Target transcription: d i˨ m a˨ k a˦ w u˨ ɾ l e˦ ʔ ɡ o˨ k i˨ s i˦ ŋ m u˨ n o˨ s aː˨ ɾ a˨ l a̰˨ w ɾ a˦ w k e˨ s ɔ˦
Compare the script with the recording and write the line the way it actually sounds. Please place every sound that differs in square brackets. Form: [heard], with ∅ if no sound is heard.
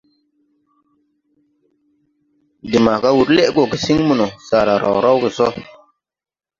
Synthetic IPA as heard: d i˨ m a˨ k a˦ w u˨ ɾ l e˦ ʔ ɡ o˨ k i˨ s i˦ ŋ m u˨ n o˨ s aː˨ ɾ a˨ [ɾ] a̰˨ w ɾ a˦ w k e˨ s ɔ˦